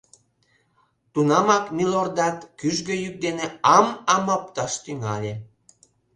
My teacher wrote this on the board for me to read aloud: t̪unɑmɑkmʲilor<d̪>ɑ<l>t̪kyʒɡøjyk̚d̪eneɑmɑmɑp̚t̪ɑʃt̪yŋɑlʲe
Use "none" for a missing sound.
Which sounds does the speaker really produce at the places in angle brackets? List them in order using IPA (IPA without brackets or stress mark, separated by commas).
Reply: d̪, none